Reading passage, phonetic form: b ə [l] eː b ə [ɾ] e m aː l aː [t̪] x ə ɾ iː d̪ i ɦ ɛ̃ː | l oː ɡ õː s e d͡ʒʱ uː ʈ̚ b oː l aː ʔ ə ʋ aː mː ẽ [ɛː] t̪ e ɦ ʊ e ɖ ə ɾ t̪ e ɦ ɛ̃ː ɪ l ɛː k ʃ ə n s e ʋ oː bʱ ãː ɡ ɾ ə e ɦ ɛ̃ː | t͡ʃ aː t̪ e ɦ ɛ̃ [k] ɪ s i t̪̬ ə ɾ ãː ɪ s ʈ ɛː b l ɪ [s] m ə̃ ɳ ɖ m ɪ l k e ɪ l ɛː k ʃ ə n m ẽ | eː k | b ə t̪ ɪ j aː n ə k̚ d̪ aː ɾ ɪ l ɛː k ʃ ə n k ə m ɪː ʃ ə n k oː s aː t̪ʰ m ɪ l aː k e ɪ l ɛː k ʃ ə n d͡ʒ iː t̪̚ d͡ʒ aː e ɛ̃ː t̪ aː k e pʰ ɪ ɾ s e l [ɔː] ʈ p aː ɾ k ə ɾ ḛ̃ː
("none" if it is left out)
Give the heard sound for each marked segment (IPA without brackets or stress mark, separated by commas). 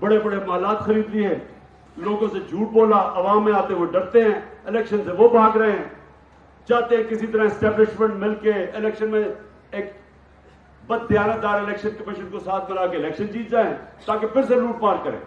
ɽ, ɽ, t̪, aː, k, ʃ, uː